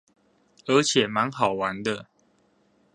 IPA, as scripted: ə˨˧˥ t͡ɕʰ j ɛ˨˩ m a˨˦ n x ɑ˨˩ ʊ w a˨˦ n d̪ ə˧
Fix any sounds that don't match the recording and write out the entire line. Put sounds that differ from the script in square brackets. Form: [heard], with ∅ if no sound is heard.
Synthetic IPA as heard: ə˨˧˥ t͡ɕʰ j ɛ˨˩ m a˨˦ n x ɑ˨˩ ʊ w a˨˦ n d̪ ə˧

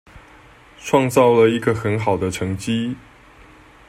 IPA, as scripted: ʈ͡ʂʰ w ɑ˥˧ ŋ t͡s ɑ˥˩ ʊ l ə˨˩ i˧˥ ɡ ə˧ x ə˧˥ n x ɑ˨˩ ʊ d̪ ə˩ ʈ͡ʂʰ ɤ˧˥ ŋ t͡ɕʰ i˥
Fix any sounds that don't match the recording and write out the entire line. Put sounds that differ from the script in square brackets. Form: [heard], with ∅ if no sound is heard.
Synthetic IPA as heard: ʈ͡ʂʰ w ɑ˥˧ ŋ t͡s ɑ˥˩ ʊ l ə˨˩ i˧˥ ɡ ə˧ x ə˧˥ n x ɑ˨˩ ʊ d̪ [ə˦] ʈ͡ʂʰ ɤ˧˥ ŋ [t͡ɕ] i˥

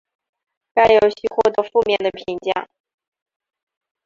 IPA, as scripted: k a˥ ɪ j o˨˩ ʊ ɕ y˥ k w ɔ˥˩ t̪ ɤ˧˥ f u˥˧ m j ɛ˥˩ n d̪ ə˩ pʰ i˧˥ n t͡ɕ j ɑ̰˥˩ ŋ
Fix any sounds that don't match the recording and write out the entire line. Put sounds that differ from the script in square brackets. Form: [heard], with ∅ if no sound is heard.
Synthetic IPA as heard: k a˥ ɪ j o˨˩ ʊ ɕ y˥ [x] w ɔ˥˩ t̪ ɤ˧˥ f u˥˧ m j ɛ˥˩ n d̪ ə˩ pʰ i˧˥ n t͡ɕ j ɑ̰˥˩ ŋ

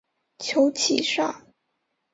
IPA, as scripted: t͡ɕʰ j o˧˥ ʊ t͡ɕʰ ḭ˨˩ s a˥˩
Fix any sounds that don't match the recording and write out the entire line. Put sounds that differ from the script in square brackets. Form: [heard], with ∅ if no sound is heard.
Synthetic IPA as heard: t͡ɕʰ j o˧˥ ʊ t͡ɕʰ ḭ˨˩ [ʂ] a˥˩

